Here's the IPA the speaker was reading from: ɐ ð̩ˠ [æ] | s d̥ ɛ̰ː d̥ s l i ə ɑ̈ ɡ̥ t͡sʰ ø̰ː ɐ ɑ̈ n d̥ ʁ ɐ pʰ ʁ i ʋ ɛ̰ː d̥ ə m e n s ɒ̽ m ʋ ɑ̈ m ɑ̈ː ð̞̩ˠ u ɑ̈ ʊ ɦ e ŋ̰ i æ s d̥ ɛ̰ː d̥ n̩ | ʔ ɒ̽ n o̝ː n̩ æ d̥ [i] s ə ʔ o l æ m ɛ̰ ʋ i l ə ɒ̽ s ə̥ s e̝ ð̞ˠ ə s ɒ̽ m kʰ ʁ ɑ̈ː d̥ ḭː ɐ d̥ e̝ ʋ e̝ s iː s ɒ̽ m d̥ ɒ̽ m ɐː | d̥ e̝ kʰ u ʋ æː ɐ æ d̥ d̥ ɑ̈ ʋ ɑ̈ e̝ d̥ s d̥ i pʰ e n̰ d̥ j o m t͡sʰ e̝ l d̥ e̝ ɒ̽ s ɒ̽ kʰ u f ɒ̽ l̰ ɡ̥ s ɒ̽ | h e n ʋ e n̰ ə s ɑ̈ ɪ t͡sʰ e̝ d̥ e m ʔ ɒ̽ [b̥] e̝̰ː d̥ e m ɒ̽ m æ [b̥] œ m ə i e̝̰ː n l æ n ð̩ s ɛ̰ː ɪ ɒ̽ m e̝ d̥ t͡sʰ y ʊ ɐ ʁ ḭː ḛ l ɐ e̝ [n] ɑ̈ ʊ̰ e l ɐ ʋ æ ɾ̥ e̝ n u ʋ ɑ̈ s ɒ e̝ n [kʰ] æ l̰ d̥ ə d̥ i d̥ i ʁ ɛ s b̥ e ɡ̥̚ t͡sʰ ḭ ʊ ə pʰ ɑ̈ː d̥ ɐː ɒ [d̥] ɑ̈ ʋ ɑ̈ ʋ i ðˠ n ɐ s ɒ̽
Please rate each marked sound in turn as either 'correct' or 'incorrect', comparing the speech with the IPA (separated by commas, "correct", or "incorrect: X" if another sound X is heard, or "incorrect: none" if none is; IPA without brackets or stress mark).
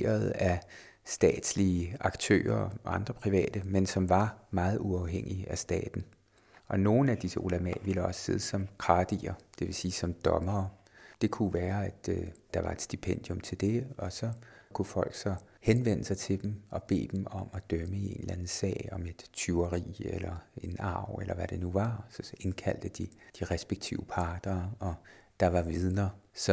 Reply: correct, correct, correct, incorrect: d̥, correct, correct, correct